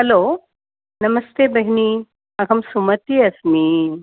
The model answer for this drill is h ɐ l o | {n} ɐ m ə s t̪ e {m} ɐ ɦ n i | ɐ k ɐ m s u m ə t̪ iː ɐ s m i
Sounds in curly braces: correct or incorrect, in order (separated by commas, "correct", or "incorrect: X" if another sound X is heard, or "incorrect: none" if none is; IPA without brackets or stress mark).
correct, incorrect: b